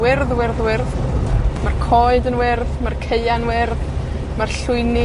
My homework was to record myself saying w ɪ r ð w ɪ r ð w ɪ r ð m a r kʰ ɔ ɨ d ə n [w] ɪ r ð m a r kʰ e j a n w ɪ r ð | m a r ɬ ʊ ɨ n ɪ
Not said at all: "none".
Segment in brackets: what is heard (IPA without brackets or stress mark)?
w